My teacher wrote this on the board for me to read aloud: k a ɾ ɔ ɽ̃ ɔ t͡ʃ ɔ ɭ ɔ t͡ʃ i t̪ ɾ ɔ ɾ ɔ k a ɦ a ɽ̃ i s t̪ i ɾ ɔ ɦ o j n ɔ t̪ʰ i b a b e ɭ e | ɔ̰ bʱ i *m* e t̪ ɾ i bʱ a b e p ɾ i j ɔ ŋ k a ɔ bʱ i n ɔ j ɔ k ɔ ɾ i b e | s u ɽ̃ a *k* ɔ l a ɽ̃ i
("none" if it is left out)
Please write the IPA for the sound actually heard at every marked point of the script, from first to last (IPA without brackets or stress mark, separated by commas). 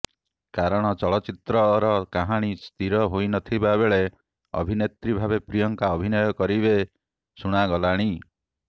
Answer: n, ɡ